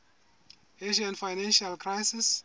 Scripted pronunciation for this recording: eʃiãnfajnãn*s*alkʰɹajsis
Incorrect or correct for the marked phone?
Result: incorrect: ʃ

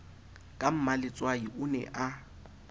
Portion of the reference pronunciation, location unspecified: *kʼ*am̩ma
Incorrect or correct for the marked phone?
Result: correct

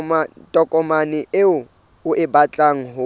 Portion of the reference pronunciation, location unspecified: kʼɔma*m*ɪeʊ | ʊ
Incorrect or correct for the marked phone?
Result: incorrect: n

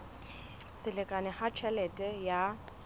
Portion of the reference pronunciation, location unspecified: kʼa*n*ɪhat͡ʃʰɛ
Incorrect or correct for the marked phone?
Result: correct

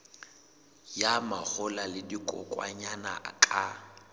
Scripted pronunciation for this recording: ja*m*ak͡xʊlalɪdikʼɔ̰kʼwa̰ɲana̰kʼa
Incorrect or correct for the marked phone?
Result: correct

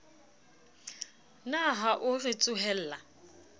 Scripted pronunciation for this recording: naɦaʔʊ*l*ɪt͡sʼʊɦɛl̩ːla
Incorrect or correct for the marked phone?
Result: incorrect: r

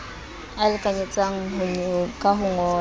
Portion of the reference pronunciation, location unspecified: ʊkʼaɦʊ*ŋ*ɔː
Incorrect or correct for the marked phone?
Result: correct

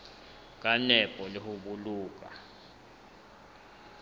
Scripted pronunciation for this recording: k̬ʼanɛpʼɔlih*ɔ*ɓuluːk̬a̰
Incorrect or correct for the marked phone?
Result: incorrect: u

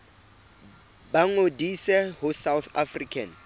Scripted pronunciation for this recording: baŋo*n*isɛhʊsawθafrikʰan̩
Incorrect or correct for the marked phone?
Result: incorrect: d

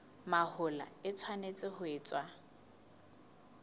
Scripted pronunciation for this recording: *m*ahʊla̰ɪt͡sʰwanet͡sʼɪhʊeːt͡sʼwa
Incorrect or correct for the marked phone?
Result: correct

